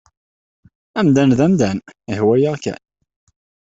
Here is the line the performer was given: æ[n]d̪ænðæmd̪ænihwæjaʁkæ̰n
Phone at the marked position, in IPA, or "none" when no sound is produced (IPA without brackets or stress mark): m